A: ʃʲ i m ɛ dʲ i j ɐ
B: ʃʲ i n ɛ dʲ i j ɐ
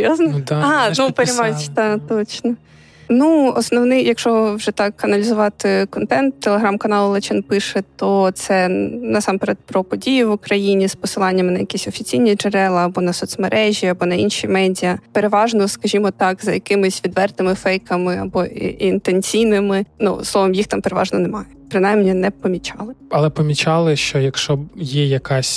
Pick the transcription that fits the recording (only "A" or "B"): A